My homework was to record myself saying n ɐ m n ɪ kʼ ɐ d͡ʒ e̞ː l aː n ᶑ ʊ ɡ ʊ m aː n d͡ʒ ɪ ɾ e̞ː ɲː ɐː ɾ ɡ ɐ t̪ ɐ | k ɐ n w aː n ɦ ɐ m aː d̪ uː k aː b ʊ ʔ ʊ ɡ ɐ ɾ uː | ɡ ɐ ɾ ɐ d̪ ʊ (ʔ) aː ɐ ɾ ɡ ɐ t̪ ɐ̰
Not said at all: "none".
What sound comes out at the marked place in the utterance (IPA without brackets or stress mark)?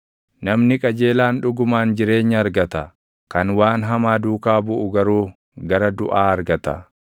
ʔ